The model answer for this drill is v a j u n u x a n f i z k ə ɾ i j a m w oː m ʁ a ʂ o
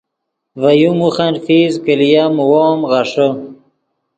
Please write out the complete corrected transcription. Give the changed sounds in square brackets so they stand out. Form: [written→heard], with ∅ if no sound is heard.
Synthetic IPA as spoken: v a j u [n→m] u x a n f i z k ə [ɾ→l] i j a m w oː m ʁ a ʂ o